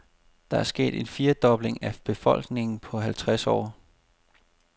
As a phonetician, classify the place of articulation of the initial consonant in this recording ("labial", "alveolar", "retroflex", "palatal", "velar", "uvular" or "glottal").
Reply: alveolar